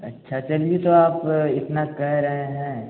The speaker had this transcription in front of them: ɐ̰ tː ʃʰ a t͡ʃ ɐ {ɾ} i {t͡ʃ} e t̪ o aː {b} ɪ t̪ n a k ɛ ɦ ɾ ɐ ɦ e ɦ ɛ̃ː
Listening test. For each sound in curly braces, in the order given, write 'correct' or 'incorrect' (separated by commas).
incorrect, incorrect, incorrect